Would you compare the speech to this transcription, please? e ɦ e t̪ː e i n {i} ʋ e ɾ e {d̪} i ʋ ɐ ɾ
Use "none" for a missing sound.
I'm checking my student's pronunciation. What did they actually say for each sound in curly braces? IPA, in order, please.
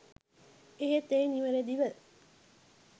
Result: i, d̪

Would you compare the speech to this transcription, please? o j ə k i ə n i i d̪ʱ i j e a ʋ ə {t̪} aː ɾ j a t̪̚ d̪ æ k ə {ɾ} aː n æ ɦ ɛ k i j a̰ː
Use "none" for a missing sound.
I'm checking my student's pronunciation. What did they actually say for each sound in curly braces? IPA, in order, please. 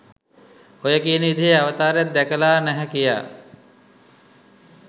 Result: t̪, l

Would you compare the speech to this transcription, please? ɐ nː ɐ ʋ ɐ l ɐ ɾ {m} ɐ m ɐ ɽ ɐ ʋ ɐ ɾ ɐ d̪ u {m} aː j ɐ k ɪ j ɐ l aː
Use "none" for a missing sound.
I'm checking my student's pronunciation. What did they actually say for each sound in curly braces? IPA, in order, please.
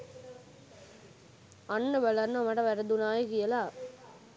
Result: n, n

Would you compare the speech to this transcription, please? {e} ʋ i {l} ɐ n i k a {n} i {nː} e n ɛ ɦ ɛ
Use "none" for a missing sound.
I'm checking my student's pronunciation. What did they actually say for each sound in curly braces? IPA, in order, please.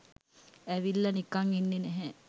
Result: æ, lː, ŋ, nː

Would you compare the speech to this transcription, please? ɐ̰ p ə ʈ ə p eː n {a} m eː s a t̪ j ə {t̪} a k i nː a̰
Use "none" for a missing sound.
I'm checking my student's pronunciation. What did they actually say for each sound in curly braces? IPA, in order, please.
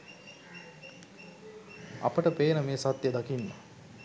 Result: ə, d̪

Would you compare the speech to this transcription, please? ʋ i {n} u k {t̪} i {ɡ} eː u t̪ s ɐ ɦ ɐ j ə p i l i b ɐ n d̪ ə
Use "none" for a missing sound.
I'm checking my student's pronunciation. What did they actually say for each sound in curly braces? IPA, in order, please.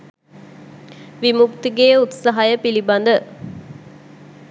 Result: m, t̪, ɡ

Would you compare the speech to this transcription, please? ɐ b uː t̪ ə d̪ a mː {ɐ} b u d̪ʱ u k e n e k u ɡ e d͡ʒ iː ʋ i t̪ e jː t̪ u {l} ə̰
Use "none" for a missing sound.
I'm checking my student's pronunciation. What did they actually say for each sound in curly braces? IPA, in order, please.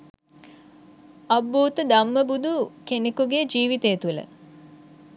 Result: ə, l

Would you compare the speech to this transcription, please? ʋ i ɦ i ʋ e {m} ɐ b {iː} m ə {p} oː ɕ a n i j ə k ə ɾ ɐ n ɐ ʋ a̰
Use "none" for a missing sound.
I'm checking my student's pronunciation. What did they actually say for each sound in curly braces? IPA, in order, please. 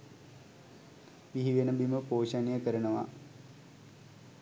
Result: n, i, p

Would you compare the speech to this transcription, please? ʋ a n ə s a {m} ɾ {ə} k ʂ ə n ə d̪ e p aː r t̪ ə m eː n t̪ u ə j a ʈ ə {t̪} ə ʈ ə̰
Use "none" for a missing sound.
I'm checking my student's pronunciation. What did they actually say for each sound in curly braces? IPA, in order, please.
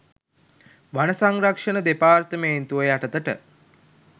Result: ŋ, a, t̪

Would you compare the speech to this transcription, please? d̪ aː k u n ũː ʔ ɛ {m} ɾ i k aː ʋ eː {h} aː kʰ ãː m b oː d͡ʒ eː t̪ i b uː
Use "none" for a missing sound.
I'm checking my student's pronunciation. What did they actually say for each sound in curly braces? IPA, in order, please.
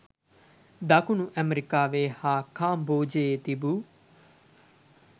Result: m, h

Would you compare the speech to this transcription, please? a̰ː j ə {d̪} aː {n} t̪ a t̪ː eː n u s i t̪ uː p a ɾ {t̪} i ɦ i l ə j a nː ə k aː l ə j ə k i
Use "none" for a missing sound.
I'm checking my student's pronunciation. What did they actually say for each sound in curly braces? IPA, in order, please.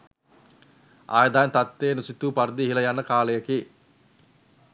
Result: d̪, n, d̪

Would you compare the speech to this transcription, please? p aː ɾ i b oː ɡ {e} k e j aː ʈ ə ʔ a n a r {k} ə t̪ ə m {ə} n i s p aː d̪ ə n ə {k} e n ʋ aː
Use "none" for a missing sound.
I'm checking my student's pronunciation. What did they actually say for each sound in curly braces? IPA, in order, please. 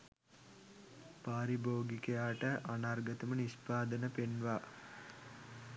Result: i, ɡ, ə, p

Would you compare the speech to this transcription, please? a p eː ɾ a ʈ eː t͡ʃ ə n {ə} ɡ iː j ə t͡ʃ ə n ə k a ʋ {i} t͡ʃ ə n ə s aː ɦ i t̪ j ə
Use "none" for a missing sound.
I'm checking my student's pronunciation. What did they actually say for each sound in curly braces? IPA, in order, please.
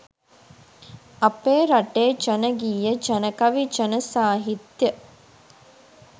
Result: ə, i

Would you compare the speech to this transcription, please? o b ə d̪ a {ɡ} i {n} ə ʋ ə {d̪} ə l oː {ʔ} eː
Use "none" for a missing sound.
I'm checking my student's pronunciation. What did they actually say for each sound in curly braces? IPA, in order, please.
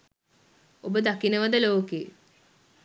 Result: k, n, d̪, k

